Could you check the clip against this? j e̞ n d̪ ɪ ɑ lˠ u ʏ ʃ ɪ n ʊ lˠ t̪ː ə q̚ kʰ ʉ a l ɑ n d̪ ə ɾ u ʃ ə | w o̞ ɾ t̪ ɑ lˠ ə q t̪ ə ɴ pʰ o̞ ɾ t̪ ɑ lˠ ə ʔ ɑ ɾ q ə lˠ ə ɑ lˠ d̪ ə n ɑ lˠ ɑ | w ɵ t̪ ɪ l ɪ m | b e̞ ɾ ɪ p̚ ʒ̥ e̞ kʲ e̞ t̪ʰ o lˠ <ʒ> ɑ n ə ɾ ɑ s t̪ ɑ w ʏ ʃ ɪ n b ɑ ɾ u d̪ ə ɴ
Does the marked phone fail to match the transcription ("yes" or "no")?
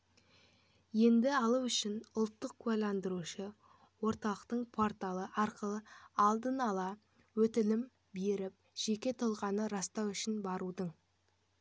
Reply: yes